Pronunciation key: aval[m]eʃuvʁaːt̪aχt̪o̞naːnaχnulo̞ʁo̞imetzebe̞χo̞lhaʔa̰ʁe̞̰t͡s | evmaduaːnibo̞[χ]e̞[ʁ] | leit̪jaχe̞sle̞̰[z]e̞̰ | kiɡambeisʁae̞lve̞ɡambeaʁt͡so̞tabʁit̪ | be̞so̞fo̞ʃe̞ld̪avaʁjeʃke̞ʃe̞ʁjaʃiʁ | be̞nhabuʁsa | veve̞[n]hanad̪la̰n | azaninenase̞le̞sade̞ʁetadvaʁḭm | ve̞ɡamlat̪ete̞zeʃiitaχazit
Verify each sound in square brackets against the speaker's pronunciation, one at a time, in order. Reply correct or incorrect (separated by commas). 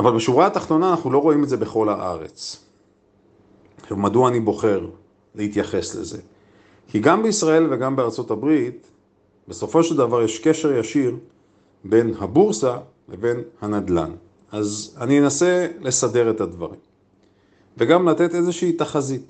incorrect, correct, correct, correct, correct